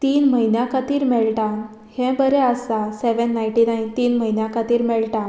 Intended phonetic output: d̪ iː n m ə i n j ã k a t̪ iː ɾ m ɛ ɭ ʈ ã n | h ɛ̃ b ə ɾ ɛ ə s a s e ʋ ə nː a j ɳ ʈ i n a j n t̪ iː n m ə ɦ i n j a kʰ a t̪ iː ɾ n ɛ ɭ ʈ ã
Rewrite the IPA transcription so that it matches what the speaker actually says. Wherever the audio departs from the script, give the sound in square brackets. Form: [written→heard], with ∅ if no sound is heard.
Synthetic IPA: [d̪→t̪] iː n m ə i n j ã k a t̪ iː ɾ m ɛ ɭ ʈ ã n | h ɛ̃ b ə ɾ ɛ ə s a s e ʋ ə nː a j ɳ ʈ i n a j n t̪ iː n m ə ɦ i n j a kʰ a t̪ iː ɾ [n→m] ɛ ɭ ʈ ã